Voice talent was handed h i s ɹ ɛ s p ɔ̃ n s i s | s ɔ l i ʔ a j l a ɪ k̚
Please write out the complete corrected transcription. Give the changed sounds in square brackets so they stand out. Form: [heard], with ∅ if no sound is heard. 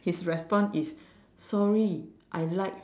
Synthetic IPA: h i s ɹ ɛ s p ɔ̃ n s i s | s ɔ [ɹ] i ʔ a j l a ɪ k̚